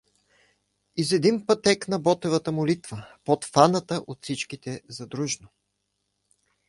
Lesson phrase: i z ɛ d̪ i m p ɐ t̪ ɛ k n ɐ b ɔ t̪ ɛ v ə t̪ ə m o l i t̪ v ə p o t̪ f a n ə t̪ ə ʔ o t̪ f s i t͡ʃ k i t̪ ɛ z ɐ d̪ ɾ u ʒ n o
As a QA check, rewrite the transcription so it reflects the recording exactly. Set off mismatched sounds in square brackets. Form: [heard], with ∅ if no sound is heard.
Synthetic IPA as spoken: i z ɛ d̪ i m p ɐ t̪ ɛ k n ɐ b ɔ t̪ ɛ v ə t̪ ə m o l i t̪ v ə p o t̪ f a n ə t̪ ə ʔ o t̪ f s i t͡ʃ k i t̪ ɛ z ɐ d̪ ɾ u ʒ n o